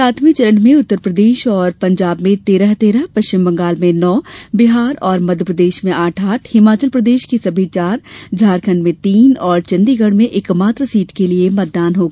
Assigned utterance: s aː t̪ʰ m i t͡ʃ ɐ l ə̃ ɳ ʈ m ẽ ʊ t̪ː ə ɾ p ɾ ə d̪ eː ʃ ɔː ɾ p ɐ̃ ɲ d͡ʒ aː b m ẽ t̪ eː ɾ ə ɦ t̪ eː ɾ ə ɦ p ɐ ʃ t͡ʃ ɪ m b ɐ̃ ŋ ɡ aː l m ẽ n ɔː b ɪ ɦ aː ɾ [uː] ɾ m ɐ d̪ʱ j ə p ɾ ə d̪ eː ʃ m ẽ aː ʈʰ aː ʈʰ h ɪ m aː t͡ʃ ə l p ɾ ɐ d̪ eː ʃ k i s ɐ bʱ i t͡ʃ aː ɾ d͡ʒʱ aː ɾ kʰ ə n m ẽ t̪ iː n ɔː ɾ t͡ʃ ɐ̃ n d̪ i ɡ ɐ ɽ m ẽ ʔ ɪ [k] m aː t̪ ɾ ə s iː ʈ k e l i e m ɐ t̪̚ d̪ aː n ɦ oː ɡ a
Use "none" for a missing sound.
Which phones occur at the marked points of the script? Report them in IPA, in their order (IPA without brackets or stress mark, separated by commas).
ɔː, k